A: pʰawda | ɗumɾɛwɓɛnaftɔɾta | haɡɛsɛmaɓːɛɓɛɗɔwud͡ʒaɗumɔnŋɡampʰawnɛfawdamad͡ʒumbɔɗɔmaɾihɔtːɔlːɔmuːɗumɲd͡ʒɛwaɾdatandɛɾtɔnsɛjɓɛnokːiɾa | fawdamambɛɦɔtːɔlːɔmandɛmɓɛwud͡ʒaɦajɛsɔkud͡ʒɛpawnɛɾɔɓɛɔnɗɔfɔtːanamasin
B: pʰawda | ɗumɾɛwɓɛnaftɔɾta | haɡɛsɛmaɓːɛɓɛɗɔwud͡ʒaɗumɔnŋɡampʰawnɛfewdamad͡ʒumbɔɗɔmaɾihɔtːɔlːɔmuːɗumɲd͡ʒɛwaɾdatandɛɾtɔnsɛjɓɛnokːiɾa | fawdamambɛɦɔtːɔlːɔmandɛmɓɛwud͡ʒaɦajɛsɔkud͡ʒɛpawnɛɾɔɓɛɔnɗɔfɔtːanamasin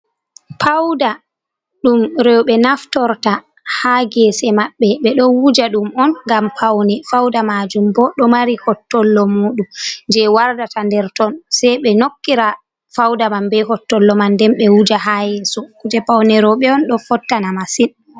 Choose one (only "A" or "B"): A